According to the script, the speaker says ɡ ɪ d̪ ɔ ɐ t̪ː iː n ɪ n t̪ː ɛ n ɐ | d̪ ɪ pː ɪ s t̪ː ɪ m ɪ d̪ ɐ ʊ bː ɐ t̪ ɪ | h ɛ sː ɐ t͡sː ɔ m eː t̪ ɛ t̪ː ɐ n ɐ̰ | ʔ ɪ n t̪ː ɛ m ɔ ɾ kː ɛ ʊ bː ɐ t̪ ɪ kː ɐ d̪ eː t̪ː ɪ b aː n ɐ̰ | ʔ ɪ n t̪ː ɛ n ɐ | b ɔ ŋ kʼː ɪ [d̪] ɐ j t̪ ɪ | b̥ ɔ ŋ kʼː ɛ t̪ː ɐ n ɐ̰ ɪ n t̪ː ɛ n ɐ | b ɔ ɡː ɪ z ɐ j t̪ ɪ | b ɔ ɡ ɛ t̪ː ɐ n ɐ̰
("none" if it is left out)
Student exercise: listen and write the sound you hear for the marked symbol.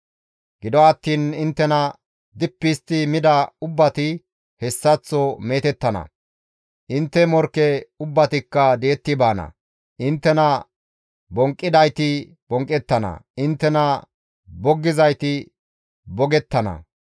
d̪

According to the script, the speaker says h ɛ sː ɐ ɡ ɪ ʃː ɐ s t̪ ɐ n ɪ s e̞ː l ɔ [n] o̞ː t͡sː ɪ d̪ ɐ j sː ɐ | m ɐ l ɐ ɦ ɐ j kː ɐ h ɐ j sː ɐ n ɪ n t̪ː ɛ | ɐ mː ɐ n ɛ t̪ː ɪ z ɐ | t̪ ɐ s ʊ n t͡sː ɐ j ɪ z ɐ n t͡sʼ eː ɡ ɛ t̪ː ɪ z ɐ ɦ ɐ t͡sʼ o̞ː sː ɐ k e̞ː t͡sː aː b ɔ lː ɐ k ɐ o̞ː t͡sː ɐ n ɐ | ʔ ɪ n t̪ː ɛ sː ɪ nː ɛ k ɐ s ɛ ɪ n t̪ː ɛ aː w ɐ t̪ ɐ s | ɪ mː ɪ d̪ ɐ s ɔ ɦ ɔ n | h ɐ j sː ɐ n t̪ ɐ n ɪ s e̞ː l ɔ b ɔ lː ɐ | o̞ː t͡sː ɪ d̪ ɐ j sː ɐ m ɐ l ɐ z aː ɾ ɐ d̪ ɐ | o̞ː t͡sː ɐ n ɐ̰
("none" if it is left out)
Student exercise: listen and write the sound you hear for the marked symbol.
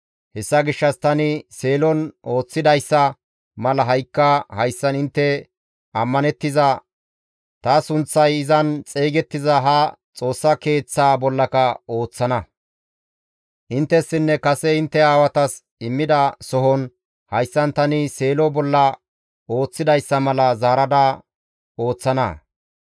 n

